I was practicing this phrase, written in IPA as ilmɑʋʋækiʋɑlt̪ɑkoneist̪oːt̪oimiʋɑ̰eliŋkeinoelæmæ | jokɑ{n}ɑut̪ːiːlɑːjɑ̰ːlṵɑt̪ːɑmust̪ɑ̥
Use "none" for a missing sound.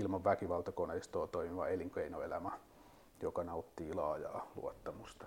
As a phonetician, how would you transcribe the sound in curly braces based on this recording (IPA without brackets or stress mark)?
n